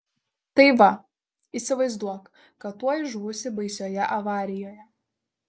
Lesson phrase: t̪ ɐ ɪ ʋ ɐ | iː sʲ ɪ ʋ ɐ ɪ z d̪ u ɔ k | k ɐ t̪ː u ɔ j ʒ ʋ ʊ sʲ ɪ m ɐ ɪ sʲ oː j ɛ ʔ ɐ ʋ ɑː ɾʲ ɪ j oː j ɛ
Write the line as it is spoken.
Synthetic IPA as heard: t̪ ɐ ɪ ʋ ɐ | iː sʲ ɪ ʋ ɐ ɪ z d̪ u ɔ k | k ɐ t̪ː u ɔ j ʒ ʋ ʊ sʲ ɪ b ɐ ɪ sʲ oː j ɛ ʔ ɐ ʋ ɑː ɾʲ ɪ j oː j ɛ